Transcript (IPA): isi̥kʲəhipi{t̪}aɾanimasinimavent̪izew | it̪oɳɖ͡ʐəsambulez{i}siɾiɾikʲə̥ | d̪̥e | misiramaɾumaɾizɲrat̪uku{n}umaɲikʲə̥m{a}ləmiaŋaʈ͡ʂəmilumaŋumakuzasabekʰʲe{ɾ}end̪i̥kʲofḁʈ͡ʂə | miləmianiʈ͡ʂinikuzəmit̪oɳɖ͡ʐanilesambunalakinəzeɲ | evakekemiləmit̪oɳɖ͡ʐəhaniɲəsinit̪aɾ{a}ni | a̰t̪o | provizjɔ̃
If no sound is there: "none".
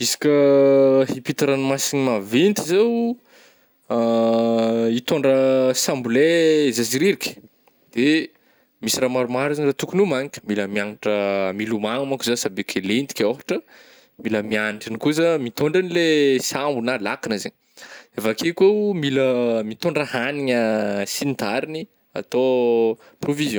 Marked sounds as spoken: t̪, a, n, i, l, i

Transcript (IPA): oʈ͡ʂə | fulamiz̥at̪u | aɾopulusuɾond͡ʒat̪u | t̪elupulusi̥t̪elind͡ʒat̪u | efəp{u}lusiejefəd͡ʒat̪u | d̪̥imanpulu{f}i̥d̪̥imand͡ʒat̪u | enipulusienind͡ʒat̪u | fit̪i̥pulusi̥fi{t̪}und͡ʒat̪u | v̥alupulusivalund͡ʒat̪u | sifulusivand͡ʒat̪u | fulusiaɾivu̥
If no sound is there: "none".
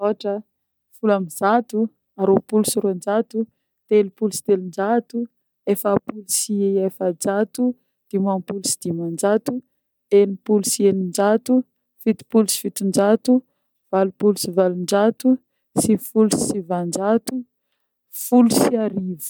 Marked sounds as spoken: u, s, t̪

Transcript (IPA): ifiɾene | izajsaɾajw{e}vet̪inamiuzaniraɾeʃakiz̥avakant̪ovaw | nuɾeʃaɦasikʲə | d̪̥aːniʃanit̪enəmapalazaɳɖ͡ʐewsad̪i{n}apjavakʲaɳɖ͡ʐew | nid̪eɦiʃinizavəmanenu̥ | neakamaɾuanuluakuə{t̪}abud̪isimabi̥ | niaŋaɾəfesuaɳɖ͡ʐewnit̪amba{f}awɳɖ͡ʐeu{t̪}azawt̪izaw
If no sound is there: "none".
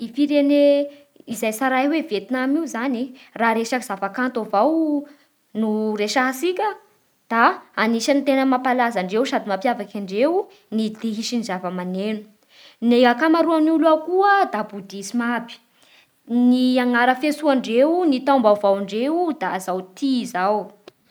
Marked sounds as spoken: e, m, d̪, v, d̪

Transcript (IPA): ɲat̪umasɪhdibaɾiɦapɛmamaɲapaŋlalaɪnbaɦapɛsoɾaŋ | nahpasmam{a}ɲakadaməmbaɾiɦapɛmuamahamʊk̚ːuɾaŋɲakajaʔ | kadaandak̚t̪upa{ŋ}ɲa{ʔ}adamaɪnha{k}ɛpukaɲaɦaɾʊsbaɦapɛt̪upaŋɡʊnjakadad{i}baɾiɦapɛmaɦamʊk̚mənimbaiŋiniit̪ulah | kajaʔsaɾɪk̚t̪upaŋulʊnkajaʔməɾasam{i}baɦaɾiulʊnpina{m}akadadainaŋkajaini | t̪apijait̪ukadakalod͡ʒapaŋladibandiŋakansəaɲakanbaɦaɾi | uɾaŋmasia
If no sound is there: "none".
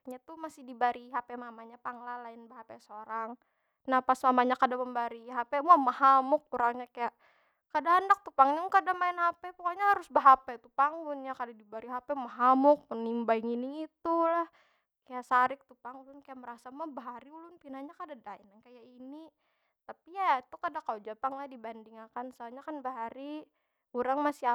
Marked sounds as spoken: a, ŋ, k, p, i, a, ɲ

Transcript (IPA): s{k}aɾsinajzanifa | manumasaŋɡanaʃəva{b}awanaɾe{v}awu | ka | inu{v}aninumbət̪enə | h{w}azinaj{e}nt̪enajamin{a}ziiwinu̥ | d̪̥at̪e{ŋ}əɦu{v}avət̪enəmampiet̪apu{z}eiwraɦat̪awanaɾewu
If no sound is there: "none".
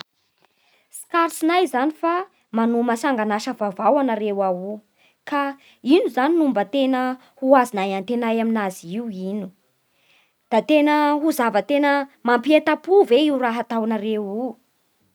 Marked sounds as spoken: k, v, w, z, u, a, a, n, z, v

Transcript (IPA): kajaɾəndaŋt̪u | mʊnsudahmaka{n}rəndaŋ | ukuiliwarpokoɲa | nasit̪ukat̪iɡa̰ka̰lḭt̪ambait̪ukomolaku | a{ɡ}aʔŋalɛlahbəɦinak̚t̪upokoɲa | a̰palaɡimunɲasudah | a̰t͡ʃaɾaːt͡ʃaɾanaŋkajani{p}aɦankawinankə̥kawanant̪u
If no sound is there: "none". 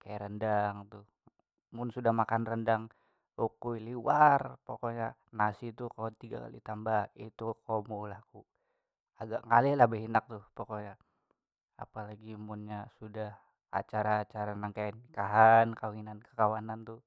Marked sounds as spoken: n, ɡ, k

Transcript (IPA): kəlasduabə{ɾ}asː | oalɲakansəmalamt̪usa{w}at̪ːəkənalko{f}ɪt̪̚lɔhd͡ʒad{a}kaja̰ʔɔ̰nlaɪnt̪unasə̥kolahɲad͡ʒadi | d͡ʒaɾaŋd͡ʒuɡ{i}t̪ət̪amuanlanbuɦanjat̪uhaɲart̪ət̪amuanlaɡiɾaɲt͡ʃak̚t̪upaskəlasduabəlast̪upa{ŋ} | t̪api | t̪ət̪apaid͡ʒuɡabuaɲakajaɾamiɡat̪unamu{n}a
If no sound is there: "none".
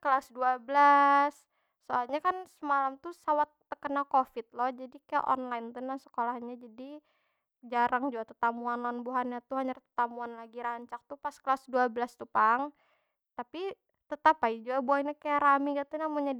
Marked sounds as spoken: l, w, f, i, a, ŋ, ɲ

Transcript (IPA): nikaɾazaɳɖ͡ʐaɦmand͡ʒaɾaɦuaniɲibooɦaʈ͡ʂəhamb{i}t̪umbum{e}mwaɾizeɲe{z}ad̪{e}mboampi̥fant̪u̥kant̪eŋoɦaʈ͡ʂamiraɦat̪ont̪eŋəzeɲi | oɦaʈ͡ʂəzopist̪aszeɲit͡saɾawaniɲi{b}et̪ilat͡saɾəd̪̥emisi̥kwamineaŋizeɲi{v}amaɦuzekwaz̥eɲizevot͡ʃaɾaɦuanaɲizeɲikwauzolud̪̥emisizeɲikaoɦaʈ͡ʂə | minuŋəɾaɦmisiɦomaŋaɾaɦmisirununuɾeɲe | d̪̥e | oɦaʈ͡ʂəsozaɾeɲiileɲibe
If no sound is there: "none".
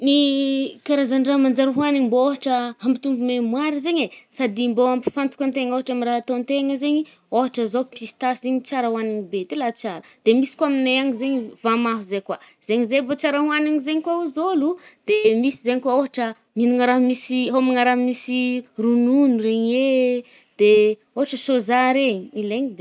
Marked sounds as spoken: i, e, s, i, b, v

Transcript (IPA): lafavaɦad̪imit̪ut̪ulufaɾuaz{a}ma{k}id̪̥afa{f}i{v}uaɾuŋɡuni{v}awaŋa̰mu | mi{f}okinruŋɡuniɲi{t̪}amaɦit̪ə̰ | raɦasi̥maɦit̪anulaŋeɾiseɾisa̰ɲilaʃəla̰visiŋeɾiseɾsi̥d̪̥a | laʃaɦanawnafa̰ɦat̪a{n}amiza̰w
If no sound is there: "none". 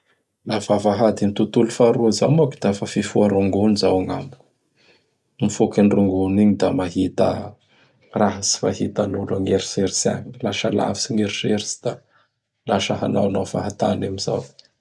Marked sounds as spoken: a, k, f, f, z, f, d̪, n

